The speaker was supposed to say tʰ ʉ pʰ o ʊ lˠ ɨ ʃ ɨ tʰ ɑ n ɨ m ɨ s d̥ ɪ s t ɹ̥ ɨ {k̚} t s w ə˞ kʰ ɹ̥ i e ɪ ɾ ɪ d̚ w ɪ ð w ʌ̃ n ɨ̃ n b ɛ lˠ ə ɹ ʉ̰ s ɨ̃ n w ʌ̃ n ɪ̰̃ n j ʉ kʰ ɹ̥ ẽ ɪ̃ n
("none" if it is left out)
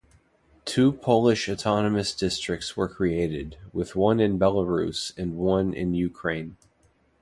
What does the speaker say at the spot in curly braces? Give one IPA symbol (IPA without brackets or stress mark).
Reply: k̚